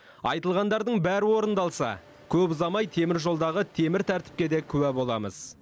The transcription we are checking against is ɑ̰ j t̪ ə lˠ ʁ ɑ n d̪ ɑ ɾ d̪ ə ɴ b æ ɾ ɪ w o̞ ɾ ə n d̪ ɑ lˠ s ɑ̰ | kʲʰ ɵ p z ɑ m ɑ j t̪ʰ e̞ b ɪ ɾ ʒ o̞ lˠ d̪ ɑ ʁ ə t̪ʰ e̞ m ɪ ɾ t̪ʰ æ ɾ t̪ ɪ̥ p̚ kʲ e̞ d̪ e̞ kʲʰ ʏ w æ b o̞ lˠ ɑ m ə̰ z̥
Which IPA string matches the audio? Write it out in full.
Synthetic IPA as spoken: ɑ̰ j t̪ ə lˠ ʁ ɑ n d̪ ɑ ɾ d̪ ə ɴ b æ ɾ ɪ w o̞ ɾ ə n d̪ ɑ lˠ s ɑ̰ | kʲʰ ɵ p z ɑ m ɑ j t̪ʰ e̞ m ɪ ɾ ʒ o̞ lˠ d̪ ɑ ʁ ə t̪ʰ e̞ m ɪ ɾ t̪ʰ æ ɾ t̪ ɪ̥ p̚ kʲ e̞ d̪ e̞ kʲʰ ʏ w æ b o̞ lˠ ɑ m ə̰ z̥